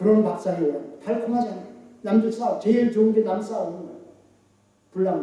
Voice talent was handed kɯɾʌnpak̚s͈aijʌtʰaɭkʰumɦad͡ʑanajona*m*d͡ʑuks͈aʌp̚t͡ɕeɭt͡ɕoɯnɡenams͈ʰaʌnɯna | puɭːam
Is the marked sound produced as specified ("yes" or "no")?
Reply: yes